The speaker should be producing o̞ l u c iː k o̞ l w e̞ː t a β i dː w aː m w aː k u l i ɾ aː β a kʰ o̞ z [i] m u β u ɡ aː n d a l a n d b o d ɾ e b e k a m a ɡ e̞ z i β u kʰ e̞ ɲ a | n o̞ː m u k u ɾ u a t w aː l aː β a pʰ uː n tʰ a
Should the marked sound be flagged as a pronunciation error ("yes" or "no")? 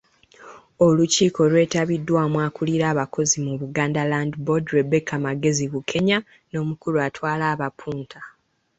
no